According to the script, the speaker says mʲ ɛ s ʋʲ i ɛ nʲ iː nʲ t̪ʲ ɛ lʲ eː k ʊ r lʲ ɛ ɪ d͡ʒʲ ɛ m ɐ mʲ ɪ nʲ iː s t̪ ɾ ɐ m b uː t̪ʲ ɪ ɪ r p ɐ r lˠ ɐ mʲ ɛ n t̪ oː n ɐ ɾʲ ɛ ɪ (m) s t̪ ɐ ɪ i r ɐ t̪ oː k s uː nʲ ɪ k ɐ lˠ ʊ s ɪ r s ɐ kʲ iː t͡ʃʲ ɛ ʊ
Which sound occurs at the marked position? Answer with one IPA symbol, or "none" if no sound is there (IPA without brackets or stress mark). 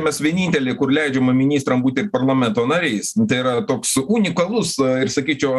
none